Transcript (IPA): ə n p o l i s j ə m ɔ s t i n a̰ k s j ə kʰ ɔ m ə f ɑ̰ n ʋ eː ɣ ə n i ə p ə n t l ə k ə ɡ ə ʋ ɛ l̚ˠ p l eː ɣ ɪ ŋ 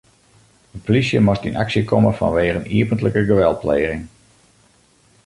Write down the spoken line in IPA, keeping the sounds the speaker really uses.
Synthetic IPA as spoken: ə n p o l i s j ə m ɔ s t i n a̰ k s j ə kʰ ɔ m ə f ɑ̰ n ʋ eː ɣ ə n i ə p ə n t l ə k ə ɡ ə ʋ ɛ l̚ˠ p l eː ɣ ɪ ŋ